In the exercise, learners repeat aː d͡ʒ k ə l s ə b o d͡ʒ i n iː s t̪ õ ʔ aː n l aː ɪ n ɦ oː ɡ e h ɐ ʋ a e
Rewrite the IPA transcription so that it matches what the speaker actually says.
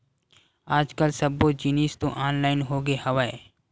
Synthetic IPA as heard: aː d͡ʒ k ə l s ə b o d͡ʒ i n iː s t̪ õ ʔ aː n l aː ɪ n ɦ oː ɡ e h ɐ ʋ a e